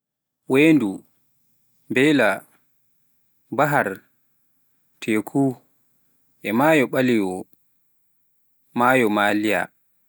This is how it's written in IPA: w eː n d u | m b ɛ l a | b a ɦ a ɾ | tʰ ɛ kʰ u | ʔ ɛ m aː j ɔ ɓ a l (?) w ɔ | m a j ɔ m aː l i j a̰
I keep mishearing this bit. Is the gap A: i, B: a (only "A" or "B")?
A